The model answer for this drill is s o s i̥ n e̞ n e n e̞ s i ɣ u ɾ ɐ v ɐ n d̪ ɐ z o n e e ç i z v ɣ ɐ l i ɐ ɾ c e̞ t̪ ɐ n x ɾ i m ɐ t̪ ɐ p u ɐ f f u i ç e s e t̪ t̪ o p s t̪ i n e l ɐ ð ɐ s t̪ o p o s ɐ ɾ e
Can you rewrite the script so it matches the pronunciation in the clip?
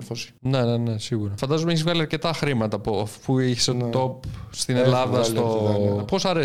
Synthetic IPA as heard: f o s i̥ n e̞ n e n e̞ s i ɣ u ɾ ɐ f ɐ n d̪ ɐ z o m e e ç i z v ɣ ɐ l i ɐ ɾ c e̞ t̪ ɐ x ɾ i m ɐ t̪ ɐ p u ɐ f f u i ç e s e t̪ t̪ o p s t̪ i n e l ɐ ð ɐ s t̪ o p o s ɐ ɾ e